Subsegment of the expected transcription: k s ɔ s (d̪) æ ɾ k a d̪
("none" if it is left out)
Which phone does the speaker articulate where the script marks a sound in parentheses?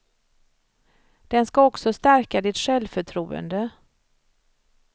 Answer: t̪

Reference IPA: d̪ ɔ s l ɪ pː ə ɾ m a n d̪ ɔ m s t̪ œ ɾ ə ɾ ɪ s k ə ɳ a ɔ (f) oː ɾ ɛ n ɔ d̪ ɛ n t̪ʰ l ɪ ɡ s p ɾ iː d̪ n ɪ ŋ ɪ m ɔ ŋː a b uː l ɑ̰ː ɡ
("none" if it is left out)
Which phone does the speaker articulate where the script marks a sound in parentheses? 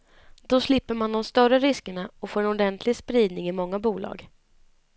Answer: f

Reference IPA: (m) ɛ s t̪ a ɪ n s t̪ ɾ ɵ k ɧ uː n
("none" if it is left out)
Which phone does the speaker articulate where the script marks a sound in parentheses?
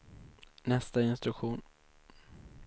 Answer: n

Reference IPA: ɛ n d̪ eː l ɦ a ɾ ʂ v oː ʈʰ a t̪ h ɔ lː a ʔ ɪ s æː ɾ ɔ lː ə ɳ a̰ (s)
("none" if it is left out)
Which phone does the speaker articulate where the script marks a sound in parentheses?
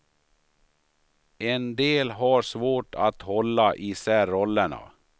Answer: none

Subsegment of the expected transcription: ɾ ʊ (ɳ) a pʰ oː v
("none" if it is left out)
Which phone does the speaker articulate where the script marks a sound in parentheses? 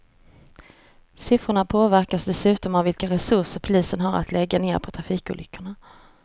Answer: ɳ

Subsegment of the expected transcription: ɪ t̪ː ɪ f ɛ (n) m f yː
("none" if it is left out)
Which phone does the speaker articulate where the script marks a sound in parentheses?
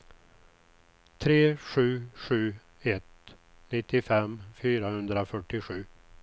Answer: none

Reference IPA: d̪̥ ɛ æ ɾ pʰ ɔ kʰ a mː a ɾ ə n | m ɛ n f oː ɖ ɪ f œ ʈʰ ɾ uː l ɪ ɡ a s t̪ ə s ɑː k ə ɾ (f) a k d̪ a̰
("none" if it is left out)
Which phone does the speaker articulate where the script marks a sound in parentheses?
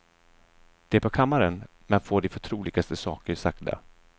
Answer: s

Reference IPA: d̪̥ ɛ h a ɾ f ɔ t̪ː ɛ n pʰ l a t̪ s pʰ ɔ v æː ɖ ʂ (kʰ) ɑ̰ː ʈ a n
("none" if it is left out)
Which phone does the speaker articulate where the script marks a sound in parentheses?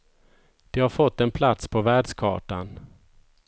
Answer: kʰ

